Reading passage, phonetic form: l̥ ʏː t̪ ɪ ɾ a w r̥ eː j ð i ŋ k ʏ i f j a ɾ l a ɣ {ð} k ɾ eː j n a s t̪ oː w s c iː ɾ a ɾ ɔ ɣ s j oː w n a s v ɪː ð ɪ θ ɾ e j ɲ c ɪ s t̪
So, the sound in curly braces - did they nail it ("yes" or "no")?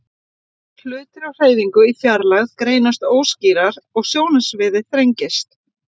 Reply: yes